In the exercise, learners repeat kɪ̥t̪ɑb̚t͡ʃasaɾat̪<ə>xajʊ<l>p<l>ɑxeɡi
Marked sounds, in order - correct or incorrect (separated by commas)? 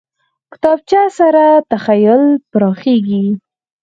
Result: incorrect, correct, incorrect